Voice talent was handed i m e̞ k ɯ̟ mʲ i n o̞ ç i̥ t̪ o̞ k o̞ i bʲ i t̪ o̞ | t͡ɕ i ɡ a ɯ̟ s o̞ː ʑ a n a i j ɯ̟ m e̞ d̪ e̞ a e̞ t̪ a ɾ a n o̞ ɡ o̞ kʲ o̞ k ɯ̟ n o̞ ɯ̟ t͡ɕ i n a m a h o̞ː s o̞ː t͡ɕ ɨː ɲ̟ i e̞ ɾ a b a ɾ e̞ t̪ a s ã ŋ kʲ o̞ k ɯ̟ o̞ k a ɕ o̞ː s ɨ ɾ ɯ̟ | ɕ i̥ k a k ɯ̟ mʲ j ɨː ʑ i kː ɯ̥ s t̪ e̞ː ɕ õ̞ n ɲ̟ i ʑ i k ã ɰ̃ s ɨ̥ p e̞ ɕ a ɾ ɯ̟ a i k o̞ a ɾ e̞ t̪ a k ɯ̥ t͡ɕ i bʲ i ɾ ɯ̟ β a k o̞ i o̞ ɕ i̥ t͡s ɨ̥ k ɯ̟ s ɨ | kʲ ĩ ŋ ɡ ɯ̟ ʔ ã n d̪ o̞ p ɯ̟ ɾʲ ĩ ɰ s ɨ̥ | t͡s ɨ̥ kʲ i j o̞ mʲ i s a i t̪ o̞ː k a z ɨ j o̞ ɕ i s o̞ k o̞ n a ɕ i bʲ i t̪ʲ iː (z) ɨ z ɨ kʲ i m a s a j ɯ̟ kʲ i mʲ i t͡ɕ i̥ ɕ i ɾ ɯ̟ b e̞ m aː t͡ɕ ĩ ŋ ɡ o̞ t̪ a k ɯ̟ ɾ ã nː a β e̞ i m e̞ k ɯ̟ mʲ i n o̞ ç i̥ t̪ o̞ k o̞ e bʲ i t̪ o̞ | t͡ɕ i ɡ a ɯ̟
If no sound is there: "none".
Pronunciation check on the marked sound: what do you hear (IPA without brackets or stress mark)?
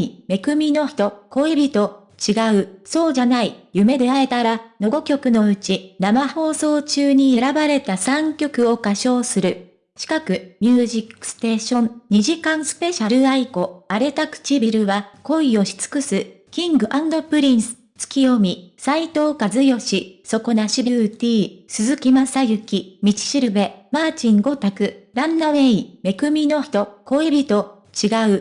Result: s